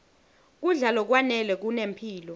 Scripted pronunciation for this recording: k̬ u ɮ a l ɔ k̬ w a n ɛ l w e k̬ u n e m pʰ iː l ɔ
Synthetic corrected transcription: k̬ u ɮ a l ɔ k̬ w a n ɛ l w ɛ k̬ u n e m pʰ iː l ɔ